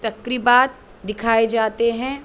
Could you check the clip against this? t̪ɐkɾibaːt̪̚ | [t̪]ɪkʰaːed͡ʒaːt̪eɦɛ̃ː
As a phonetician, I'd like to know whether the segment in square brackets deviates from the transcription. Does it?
yes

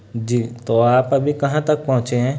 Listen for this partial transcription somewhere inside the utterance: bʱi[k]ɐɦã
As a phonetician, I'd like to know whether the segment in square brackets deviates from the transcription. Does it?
no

